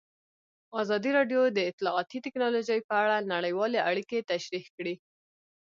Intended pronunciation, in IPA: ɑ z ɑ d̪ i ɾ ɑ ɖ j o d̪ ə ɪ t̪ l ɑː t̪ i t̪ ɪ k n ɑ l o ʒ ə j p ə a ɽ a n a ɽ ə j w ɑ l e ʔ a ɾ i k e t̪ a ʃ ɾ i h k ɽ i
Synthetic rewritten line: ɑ z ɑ d̪ i ɾ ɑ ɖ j o d̪ ə ɪ t̪ l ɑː t̪ i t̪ ɪ k n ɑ l o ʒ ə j p ə a ɽ a n a ɽ ə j w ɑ l e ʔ a ɽ i k e t̪ a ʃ ɾ i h k ɽ i